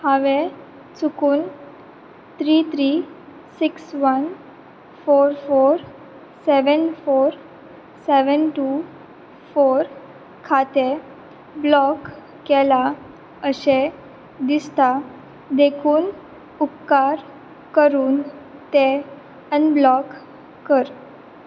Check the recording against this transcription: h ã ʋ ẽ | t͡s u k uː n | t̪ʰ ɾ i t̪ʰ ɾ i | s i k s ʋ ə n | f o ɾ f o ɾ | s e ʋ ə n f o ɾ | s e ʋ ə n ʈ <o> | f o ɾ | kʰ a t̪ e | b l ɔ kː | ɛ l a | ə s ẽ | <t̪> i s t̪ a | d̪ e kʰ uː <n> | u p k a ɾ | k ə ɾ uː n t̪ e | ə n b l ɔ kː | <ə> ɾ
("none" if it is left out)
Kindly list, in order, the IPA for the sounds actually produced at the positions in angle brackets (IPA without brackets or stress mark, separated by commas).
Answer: u, d̪, n, ə